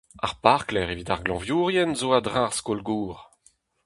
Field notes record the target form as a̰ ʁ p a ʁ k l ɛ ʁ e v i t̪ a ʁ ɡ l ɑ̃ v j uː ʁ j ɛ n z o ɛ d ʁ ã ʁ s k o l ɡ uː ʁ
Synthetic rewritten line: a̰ ʁ p a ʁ k l ɛ ʁ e v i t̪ a ʁ ɡ l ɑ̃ v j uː ʁ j ɛ n z o a d ʁ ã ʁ s k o l ɡ uː ʁ